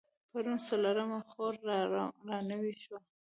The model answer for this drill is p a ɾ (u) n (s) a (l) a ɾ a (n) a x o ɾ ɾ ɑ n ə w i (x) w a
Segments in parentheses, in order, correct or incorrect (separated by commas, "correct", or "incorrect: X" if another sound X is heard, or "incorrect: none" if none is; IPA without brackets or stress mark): correct, correct, correct, incorrect: m, incorrect: ʃ